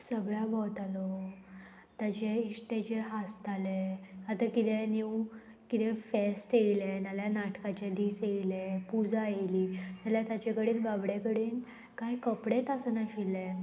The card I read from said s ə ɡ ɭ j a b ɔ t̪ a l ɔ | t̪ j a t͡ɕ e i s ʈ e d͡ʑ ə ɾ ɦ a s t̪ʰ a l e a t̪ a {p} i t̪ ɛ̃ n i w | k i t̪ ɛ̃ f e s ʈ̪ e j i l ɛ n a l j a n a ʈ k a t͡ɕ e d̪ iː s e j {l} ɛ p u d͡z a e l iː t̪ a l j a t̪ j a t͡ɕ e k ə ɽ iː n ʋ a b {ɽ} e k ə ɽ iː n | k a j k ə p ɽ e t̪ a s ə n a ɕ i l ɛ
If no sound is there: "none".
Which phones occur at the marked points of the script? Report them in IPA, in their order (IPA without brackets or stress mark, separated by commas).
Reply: k, l, ɽ